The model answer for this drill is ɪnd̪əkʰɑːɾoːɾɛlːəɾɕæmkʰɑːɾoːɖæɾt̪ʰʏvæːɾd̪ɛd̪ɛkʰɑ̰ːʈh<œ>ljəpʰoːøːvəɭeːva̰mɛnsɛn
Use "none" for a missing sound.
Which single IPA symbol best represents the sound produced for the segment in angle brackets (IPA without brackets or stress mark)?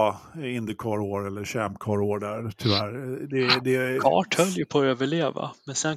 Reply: œ